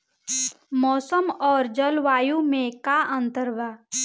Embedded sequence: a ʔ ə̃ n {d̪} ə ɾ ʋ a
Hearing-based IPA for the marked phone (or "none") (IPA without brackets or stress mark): t̪